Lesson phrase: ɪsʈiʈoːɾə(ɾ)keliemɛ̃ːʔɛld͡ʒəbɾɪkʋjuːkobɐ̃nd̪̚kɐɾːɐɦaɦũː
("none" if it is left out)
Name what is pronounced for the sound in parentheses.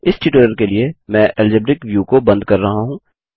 ɾ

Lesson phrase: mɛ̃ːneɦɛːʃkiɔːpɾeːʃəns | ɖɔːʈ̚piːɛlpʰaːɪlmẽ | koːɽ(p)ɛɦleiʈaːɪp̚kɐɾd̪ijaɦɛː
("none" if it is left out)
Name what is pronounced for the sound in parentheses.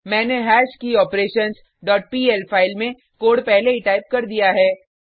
p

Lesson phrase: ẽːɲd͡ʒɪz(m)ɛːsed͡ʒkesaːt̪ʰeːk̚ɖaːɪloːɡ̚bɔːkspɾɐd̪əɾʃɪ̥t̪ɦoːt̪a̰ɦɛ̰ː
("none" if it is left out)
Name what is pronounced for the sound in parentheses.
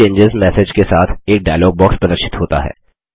m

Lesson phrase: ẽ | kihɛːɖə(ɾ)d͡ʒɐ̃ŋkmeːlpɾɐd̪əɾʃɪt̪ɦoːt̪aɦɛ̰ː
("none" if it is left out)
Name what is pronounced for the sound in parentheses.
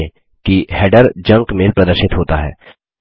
ɾ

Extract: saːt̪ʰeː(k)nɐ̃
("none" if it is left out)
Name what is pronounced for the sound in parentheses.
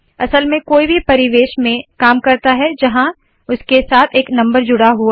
k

